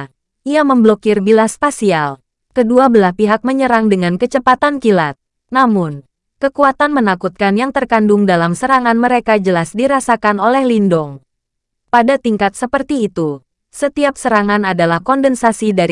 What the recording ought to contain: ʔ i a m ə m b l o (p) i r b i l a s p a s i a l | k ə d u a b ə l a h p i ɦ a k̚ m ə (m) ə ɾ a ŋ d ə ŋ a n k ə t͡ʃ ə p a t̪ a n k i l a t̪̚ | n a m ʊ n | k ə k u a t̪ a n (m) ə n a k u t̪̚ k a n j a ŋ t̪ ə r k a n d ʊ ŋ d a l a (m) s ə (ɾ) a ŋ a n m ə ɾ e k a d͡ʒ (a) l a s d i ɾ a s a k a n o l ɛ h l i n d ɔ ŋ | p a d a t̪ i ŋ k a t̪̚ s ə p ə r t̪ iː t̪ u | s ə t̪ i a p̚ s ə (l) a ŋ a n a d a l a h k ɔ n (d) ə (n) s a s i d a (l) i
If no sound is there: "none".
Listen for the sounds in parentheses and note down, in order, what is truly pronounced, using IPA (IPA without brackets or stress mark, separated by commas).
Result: k, ɲ, m, m, ɾ, ə, ɾ, d, n, ɾ